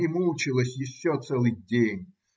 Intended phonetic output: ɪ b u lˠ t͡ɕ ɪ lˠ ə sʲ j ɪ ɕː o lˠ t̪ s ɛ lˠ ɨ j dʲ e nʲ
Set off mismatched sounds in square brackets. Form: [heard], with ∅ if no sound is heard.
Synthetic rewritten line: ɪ [m] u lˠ t͡ɕ ɪ lˠ ə sʲ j ɪ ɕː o [∅] t̪ s ɛ lˠ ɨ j dʲ e nʲ